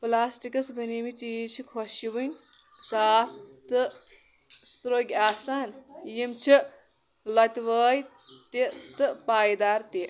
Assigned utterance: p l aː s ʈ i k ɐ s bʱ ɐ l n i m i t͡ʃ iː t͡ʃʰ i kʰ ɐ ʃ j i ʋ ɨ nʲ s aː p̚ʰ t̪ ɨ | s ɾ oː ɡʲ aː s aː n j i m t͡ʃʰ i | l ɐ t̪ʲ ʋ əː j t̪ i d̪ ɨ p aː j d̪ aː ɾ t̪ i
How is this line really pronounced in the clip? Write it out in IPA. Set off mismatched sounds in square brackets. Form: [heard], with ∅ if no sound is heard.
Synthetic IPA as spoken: p l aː s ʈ i k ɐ s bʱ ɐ [∅] n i m i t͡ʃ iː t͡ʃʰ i kʰ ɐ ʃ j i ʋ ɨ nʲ s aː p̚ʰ t̪ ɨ | s ɾ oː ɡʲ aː s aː n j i m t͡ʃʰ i | l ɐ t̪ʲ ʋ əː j t̪ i [t̪] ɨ p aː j d̪ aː ɾ t̪ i

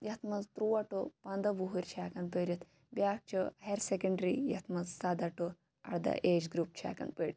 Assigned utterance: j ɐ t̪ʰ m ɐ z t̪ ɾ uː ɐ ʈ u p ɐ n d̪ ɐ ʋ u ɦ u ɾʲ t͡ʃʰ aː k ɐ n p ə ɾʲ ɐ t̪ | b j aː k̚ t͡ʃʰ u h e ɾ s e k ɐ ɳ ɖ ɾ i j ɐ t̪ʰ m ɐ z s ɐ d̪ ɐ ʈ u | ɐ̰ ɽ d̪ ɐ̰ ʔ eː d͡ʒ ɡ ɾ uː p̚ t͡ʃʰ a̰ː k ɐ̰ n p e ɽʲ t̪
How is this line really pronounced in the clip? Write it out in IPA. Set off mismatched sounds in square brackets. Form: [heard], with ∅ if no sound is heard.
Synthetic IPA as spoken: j ɐ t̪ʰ m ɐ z t̪ ɾ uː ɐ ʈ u p ɐ n d̪ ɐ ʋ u ɦ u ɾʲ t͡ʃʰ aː k ɐ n p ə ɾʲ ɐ t̪ | b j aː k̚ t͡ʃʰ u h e ɾ s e k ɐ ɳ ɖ ɾ i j ɐ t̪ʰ m ɐ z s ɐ d̪ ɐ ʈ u | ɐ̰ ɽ d̪ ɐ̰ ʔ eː d͡ʒ ɡ ɾ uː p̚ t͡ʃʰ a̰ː k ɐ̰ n p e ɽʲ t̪

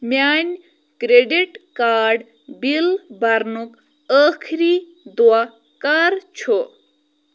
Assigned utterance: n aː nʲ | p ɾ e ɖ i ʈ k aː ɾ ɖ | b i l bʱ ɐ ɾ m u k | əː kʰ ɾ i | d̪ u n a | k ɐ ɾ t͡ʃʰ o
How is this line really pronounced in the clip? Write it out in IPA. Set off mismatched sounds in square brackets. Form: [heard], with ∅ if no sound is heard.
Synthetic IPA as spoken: [m] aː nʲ | [k] ɾ e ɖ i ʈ k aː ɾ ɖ | b i l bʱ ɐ ɾ [n] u k | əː kʰ ɾ i | d̪ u [∅] a | k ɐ ɾ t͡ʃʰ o

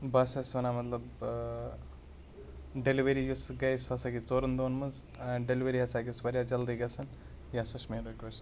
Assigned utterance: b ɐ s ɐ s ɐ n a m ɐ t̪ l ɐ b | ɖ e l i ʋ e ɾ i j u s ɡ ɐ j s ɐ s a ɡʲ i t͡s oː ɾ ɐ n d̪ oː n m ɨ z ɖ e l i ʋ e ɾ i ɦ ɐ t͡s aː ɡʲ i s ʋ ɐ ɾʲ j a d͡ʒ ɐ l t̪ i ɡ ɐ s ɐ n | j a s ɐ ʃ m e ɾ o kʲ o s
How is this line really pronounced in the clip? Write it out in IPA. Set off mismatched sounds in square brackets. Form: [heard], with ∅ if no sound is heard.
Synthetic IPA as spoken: b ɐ s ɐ s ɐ n a m ɐ t̪ l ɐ b | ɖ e l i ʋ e ɾ i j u s ɡ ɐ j s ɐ s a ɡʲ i t͡s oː ɾ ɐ n d̪ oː n m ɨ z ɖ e l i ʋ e ɾ i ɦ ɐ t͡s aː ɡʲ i s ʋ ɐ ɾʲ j a d͡ʒ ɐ l [d̪] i ɡ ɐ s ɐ n | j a s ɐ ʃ m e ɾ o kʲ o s

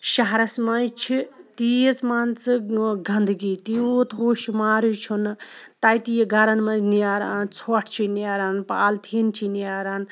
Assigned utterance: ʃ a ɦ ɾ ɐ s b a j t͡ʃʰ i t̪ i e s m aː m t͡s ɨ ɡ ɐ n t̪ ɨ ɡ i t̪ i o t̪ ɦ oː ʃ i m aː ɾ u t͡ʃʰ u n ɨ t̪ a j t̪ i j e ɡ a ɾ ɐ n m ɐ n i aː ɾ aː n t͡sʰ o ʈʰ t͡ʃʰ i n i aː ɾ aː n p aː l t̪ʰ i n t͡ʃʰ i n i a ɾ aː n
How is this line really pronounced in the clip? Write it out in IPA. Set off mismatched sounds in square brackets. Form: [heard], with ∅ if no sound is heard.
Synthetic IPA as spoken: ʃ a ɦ ɾ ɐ s [m] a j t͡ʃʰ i t̪ i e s m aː [n] t͡s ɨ ɡ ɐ n [d̪] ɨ ɡ i t̪ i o t̪ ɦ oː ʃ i m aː ɾ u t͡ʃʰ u n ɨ t̪ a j t̪ i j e ɡ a ɾ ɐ n m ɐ n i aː ɾ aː n t͡sʰ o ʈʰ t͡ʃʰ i n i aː ɾ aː n p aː l t̪ʰ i n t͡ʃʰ i n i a ɾ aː n

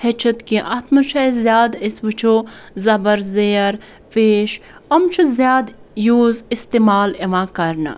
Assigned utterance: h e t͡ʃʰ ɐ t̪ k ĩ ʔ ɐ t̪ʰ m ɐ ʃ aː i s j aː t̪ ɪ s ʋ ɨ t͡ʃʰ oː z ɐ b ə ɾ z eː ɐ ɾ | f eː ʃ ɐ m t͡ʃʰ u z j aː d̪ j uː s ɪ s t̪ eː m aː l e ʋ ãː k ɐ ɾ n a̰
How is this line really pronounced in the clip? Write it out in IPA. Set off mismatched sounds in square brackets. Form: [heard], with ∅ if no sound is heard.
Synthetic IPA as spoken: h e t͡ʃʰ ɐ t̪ k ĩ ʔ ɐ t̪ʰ m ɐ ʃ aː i [z] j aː [d̪] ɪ s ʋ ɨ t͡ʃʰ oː z ɐ b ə ɾ z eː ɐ ɾ | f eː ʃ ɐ m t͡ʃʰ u z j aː d̪ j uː [z] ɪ s t̪ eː m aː l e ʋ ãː k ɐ ɾ n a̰

